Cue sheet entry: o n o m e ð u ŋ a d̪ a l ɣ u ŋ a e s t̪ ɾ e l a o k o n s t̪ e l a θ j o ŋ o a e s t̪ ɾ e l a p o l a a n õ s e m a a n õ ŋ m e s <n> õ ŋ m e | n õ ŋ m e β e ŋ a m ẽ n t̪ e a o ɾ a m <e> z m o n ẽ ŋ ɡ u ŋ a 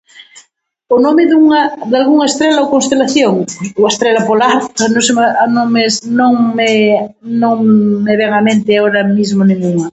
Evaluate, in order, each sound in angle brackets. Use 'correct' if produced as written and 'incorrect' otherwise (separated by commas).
correct, incorrect